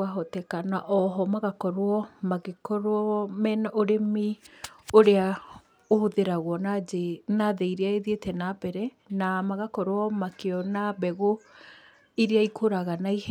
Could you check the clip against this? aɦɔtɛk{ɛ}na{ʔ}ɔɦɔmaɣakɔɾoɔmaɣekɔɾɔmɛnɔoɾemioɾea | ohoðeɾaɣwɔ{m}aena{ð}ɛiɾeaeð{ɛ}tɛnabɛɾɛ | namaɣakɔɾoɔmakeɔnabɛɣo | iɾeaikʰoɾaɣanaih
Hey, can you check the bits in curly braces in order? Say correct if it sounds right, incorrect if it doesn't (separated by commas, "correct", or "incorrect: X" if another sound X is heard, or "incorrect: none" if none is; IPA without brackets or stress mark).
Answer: incorrect: a, correct, incorrect: n, correct, incorrect: e